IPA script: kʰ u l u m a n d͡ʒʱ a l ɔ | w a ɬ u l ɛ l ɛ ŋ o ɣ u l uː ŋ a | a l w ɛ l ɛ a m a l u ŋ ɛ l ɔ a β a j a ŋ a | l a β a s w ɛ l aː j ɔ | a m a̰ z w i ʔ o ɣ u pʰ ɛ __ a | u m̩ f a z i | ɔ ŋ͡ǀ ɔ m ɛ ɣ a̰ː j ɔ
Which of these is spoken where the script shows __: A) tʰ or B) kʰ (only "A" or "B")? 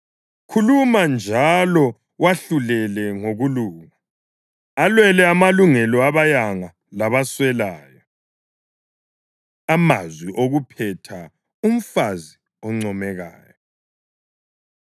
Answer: A